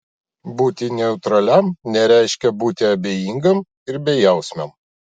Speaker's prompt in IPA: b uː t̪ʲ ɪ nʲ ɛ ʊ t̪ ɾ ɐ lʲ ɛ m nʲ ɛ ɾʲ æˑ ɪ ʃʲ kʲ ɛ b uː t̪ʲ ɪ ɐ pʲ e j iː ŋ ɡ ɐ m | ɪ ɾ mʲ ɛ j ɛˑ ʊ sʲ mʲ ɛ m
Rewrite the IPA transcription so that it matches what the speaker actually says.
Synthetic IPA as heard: b uː t̪ʲ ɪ nʲ ɛ ʊ t̪ ɾ ɐ lʲ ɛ m nʲ ɛ ɾʲ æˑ ɪ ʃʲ kʲ ɛ b uː t̪ʲ ɪ ɐ bʲ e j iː ŋ ɡ ɐ m | ɪ ɾ bʲ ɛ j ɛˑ ʊ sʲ mʲ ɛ m

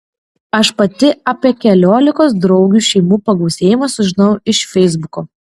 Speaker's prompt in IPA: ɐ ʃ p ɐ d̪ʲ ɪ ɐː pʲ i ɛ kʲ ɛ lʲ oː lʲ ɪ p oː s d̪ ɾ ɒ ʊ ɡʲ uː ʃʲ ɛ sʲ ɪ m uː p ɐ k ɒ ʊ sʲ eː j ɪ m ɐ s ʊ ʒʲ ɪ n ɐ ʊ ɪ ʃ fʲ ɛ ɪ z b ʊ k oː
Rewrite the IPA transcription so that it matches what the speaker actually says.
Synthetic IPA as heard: ɐ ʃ p ɐ t̪ʲ ɪ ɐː pʲ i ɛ kʲ ɛ lʲ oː lʲ ɪ k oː s d̪ ɾ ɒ ʊ ɡʲ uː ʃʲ ɛ ɪ m uː p ɐ ɡ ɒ ʊ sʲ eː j ɪ m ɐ s ʊ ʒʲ ɪ n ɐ ʊ ɪ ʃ fʲ ɛ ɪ z b ʊ k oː

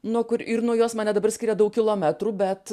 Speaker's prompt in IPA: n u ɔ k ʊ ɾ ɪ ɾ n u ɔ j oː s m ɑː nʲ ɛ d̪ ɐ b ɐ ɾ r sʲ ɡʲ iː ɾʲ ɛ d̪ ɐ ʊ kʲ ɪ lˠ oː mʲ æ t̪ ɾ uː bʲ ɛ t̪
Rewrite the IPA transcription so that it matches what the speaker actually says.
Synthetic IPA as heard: n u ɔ k ʊ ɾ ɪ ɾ n u ɔ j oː s m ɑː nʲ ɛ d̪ ɐ b ɐ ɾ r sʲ kʲ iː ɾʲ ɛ d̪ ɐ ʊ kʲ ɪ lˠ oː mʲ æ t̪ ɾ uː bʲ ɛ t̪

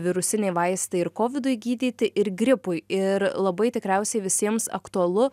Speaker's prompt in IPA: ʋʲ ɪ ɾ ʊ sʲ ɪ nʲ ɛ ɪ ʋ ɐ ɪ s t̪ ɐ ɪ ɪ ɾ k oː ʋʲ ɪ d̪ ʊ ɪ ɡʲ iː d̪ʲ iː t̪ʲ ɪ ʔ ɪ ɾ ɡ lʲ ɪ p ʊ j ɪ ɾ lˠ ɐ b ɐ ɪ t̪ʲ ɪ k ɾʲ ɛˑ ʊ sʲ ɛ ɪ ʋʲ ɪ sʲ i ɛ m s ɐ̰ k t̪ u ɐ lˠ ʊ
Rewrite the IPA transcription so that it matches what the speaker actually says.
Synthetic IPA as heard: ʋʲ ɪ ɾ ʊ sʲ ɪ nʲ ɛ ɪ ʋ ɐ ɪ s t̪ ɐ ɪ ɪ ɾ k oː ʋʲ ɪ d̪ ʊ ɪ ɡʲ iː d̪ʲ iː t̪ʲ ɪ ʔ ɪ ɾ ɡ ɾʲ ɪ p ʊ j ɪ ɾ lˠ ɐ b ɐ ɪ t̪ʲ ɪ k ɾʲ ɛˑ ʊ sʲ ɛ ɪ ʋʲ ɪ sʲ i ɛ m s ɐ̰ k t̪ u ɐ lˠ ʊ

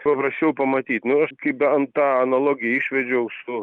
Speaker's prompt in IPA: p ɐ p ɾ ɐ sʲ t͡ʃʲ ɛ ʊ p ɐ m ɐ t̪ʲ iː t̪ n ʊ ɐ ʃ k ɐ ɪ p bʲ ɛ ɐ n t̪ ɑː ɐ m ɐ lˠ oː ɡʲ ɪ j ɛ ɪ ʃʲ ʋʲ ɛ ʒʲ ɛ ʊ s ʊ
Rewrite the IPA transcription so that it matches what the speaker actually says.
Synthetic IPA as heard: p ɐ p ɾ ɐ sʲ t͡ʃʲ ɛ ʊ p ɐ m ɐ t̪ʲ iː t̪ n ʊ ɐ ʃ k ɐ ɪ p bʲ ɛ ɐ n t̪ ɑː ɐ n ɐ lˠ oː ɡʲ ɪ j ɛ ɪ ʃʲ ʋʲ ɛ d͡ʒʲ ɛ ʊ s ʊ

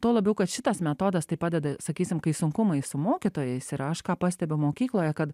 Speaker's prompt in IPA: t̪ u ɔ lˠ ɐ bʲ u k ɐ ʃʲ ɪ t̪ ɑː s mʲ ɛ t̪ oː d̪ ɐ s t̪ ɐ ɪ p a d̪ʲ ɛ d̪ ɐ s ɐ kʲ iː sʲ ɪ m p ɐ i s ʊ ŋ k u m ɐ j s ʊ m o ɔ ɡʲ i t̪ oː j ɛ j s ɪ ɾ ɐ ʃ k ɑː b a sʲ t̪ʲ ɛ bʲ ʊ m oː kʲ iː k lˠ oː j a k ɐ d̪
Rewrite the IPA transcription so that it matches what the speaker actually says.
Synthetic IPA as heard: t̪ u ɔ lˠ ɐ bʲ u k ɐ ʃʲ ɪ t̪ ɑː s mʲ ɛ t̪ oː d̪ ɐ s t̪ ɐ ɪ p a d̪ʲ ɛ d̪ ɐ s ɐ kʲ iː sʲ ɪ m k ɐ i s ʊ ŋ k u m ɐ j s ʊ m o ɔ kʲ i t̪ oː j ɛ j s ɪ ɾ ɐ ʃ k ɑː p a sʲ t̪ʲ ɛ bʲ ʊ m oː kʲ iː k lˠ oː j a k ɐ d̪

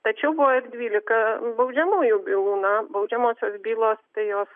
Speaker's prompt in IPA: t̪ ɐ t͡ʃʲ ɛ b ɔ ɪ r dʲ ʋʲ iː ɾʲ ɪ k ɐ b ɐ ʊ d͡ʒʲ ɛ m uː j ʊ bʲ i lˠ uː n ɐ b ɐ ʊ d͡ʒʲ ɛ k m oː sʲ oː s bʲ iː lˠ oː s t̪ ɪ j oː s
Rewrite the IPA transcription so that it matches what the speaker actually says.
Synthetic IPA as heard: t̪ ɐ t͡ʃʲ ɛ b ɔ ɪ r dʲ ʋʲ iː lʲ ɪ k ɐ b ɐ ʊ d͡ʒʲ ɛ m uː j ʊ bʲ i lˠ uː n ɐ b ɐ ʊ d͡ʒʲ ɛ m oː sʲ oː s bʲ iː lˠ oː s t̪ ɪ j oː s

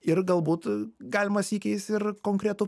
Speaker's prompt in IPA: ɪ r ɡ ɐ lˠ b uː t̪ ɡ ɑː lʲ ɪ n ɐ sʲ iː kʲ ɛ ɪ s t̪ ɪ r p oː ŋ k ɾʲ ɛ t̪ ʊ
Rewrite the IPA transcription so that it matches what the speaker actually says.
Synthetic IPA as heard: ɪ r ɡ ɐ lˠ b uː t̪ ɡ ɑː lʲ ɪ m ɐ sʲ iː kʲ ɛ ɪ s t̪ ɪ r k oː ŋ k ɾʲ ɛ t̪ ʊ

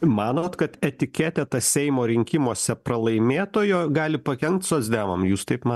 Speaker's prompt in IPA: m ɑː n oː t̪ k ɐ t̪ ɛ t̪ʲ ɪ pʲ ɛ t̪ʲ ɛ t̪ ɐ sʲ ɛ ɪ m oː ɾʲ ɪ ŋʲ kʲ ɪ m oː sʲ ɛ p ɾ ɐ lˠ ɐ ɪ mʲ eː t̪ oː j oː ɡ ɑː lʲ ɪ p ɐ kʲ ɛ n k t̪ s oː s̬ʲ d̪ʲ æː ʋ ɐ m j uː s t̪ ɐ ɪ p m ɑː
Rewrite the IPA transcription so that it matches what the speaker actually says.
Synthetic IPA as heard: m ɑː n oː t̪ k ɐ t̪ ɛ t̪ʲ ɪ kʲ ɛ t̪ʲ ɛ t̪ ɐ sʲ ɛ ɪ m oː ɾʲ ɪ ŋʲ kʲ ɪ m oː sʲ ɛ p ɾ ɐ lˠ ɐ ɪ mʲ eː t̪ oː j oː ɡ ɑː lʲ ɪ p ɐ kʲ ɛ ŋ k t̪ s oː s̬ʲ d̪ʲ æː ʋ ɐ m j uː s t̪ ɐ ɪ p m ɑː

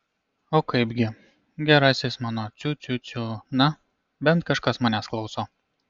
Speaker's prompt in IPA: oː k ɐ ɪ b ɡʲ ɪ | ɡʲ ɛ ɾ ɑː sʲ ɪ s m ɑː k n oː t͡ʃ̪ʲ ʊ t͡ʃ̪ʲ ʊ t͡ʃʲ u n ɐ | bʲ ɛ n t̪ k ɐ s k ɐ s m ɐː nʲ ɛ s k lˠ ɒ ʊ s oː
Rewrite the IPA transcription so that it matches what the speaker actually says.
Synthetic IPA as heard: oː k ɐ ɪ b ɡʲ ɪ | ɡʲ ɛ ɾ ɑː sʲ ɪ s m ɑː n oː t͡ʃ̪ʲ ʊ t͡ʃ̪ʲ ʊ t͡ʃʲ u n ɐ | bʲ ɛ n t̪ k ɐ ʃ k ɐ s m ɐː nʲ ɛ s k lˠ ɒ ʊ s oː

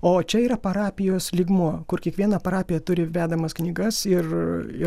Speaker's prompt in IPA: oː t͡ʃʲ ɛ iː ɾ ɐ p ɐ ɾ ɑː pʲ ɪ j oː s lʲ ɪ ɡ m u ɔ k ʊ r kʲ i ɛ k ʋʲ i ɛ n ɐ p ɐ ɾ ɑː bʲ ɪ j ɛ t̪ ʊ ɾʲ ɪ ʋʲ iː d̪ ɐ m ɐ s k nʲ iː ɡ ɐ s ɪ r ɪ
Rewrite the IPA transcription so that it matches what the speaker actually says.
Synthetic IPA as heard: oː t͡ʃʲ ɛ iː ɾ ɐ p ɐ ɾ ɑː pʲ ɪ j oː s lʲ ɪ ɡ m u ɔ k ʊ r kʲ i ɛ k ʋʲ i ɛ n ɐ p ɐ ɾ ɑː pʲ ɪ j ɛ t̪ ʊ ɾʲ ɪ ʋʲ æː d̪ ɐ m ɐ s k nʲ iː ɡ ɐ s ɪ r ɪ

